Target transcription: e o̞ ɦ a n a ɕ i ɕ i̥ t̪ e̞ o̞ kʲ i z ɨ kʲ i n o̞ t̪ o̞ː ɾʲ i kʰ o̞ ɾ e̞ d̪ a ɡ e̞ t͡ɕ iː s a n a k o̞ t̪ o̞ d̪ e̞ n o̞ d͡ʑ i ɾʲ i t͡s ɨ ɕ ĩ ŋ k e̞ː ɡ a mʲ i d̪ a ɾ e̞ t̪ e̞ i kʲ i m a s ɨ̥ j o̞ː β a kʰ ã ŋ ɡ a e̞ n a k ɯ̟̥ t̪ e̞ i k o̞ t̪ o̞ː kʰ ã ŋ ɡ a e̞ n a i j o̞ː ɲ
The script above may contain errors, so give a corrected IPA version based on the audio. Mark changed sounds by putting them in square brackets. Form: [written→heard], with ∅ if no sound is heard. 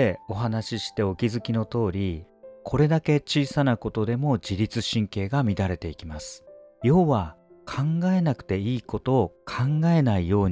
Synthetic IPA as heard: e o̞ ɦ a n a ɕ i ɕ i̥ t̪ e̞ o̞ kʲ i z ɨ kʲ i n o̞ t̪ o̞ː ɾʲ i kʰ o̞ ɾ e̞ d̪ a [ɡ→k] e̞ t͡ɕ iː s a n a k o̞ t̪ o̞ d̪ e̞ [n→m] o̞ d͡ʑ i ɾʲ i t͡s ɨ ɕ ĩ ŋ k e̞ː ɡ a mʲ i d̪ a ɾ e̞ t̪ e̞ i kʲ i m a s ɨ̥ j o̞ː β a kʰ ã ŋ ɡ a e̞ n a k ɯ̟̥ t̪ e̞ [i→iː] k o̞ t̪ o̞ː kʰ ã ŋ ɡ a e̞ n a i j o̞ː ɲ